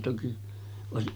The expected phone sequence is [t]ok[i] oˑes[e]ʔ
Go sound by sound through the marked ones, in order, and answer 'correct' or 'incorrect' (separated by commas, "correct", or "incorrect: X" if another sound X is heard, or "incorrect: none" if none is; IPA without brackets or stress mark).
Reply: correct, correct, incorrect: i